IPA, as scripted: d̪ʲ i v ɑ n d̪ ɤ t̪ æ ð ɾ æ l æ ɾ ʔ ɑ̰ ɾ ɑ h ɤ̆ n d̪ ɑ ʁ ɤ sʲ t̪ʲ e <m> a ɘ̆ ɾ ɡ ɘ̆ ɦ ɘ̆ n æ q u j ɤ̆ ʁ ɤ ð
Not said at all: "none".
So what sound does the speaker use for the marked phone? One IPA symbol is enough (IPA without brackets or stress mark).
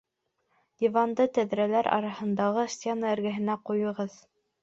n